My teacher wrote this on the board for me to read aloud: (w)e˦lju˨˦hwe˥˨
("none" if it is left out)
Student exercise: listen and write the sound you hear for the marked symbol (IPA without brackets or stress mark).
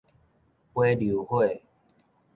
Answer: w